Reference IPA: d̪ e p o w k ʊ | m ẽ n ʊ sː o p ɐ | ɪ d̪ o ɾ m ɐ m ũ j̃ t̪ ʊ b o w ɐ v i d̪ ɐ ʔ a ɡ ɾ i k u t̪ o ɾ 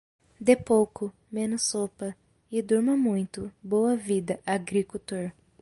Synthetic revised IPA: d̪ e p o w k ʊ | m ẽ n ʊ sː o p ɐ | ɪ d̪ u ɾ m ɐ m ũ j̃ t̪ ʊ b o w ɐ v i d̪ ɐ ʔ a ɡ ɾ i k u t̪ o ɾ